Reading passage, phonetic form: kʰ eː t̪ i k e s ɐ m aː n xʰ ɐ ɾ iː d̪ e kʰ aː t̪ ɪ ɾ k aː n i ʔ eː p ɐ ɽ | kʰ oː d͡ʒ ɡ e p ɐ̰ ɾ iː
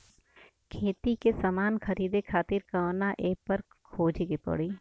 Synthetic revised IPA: kʰ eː t̪ i k e s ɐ m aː n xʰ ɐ ɾ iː d̪ e kʰ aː t̪ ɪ ɾ k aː n a ʔ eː p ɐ ɾ | kʰ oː d͡ʒ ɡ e p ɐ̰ ɽ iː